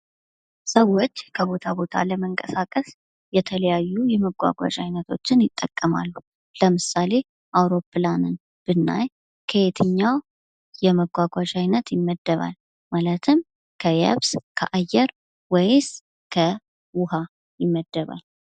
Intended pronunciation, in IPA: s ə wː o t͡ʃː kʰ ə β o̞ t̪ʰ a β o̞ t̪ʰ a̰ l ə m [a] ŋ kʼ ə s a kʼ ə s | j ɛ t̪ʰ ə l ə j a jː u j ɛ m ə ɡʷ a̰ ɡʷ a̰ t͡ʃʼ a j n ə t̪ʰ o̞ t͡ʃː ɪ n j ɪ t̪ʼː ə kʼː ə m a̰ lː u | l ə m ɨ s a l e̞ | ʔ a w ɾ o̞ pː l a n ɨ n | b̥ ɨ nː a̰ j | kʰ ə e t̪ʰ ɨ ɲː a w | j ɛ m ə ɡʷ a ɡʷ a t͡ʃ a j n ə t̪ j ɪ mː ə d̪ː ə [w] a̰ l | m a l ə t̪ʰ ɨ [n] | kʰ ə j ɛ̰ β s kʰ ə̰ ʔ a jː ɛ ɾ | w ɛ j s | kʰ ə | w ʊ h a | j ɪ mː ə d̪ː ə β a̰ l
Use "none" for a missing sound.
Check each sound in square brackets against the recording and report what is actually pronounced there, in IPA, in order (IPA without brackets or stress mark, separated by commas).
ə, β, m